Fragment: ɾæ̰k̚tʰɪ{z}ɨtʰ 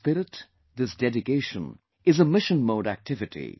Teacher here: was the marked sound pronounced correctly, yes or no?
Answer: no